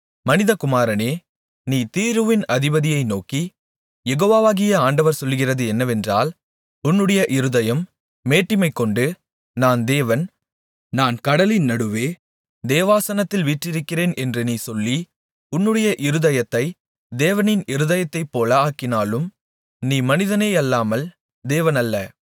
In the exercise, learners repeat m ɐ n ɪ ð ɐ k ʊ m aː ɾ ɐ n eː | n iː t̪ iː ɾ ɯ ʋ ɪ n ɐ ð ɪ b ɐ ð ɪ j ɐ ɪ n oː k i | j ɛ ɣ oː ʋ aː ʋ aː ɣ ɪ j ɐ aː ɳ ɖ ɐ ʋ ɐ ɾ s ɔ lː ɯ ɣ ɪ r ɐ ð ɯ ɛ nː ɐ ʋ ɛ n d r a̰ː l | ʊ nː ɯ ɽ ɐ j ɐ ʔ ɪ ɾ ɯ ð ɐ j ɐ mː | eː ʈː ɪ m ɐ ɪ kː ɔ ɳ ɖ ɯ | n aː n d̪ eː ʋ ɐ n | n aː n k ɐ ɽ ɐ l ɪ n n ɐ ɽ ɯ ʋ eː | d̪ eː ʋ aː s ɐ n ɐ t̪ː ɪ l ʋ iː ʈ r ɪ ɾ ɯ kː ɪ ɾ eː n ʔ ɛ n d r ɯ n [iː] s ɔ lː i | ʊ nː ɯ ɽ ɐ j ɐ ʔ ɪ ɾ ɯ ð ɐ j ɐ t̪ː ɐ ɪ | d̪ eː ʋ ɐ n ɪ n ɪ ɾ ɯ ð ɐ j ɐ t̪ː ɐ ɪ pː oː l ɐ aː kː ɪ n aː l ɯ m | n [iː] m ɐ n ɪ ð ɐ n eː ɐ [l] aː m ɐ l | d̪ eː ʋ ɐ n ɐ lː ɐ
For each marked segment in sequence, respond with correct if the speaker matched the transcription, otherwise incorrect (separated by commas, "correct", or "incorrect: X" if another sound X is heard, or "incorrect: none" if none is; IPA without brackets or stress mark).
correct, correct, incorrect: lː